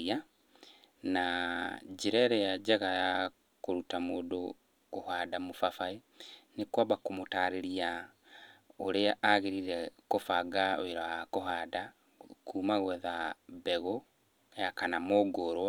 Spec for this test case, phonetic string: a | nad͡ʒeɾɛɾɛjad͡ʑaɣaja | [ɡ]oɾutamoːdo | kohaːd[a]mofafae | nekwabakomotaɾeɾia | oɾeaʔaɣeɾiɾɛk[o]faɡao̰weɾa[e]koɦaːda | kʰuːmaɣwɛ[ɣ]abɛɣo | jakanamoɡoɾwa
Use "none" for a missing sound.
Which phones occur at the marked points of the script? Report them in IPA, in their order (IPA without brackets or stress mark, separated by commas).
k, a, o, a, ð